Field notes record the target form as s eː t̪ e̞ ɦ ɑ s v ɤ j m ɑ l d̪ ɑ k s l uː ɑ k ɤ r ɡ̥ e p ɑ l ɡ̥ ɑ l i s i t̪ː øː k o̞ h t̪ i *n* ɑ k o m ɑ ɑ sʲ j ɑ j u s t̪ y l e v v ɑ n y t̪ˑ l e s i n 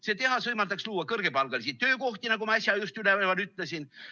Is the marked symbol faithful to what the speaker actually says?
yes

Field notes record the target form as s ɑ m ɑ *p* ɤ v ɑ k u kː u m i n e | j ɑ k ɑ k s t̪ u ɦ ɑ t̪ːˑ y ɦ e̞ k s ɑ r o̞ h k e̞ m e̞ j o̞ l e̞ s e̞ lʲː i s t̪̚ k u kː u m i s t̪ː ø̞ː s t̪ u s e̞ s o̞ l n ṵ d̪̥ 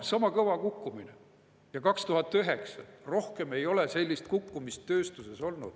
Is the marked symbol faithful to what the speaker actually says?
no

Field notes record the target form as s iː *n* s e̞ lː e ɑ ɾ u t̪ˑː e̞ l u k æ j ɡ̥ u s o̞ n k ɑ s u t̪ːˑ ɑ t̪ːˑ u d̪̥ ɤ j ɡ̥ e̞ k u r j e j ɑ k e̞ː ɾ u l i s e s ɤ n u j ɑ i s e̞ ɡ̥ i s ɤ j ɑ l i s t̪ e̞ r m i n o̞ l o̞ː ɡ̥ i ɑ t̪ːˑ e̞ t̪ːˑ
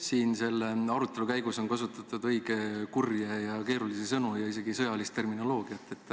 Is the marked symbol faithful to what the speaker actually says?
yes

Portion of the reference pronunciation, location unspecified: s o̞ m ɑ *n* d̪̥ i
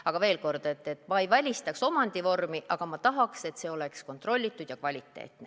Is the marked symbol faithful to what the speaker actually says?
yes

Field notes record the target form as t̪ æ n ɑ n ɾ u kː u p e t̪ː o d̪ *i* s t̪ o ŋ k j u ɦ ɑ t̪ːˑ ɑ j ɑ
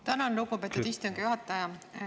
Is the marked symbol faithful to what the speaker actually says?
yes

